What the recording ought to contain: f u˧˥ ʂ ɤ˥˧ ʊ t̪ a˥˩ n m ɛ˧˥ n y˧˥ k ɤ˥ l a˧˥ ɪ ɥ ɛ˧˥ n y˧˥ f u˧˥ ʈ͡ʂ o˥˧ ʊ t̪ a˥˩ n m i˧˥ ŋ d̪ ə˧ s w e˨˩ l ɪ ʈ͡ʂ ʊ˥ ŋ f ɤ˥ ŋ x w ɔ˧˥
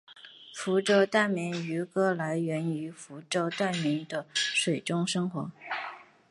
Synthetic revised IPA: f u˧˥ ʈ͡ʂ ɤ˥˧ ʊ t̪ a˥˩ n m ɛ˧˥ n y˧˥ k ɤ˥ l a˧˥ ɪ ɥ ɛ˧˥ n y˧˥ f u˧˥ ʈ͡ʂ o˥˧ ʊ t̪ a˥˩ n m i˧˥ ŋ d̪ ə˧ ʂ w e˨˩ ɪ ʈ͡ʂ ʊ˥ ŋ ʂ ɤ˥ ŋ x w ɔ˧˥